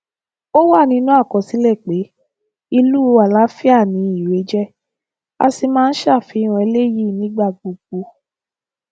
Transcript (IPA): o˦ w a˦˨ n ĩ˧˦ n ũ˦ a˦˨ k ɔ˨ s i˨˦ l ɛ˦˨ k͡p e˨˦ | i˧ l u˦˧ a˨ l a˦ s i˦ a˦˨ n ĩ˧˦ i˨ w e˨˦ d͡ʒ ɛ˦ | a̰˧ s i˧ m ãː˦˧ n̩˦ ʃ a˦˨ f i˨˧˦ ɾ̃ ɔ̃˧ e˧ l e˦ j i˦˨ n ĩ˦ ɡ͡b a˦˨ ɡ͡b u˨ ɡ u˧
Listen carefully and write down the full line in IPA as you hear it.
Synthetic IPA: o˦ w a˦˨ n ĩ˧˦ n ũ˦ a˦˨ k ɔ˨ s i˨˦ l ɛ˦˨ k͡p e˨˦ | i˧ l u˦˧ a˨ l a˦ f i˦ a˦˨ n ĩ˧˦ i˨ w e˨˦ d͡ʒ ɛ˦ | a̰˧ s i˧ m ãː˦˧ n̩˦ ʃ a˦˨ f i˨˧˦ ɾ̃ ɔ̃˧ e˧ l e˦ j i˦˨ n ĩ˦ ɡ͡b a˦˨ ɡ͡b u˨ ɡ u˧